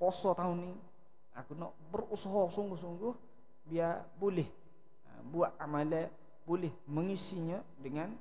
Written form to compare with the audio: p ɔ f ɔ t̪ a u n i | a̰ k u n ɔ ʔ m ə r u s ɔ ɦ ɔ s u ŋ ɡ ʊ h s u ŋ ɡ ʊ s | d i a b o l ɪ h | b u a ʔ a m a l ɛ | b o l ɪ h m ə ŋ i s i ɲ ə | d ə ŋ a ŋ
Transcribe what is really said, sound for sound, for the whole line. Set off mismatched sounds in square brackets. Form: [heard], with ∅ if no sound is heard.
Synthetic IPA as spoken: p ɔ [s] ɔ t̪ a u n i | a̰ k u n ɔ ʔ [b] ə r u s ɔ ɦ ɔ s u ŋ ɡ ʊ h s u ŋ ɡ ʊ [h] | [b] i a b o l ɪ h | b u a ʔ a m a l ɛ | b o l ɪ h m ə ŋ i s i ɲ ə | d ə ŋ a [n]